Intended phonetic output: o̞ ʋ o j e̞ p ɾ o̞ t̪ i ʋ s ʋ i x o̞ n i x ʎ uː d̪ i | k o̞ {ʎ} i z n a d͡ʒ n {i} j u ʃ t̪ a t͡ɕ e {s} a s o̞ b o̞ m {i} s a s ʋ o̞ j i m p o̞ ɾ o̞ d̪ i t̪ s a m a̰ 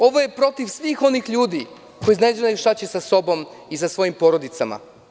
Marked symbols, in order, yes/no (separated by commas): no, no, yes, yes